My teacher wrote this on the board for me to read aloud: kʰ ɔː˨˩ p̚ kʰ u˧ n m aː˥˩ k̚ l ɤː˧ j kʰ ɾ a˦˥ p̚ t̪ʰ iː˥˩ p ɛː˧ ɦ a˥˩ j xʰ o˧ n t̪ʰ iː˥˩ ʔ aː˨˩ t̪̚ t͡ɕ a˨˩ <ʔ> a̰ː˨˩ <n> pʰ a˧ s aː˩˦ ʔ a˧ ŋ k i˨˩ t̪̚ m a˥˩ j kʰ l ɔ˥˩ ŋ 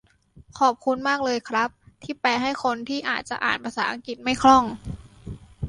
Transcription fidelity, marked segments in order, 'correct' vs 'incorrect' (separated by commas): correct, correct